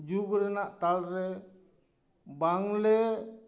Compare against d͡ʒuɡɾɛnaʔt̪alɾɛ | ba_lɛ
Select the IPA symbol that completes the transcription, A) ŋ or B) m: A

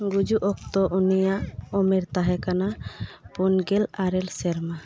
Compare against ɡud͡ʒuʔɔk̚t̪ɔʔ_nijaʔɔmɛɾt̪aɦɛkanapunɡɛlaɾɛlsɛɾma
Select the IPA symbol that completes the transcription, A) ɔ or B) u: B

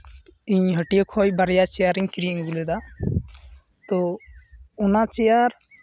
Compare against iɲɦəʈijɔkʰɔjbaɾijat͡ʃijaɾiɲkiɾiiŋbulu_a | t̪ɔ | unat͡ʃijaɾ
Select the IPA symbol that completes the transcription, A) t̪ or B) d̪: B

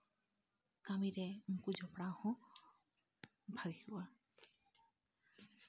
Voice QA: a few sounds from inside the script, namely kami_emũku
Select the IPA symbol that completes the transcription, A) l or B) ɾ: B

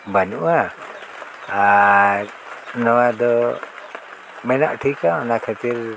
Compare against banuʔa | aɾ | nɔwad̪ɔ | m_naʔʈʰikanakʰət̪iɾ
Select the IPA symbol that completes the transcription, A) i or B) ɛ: B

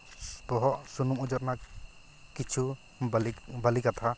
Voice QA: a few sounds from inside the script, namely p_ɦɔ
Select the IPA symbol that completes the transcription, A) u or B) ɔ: B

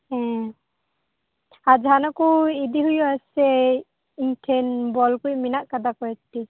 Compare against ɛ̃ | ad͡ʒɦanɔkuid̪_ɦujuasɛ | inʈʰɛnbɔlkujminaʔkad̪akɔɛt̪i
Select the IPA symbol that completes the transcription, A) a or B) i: B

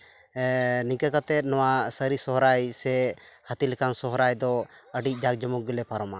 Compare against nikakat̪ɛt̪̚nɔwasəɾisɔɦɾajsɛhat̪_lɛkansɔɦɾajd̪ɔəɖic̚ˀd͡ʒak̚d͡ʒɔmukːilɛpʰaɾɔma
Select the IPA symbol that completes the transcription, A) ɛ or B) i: B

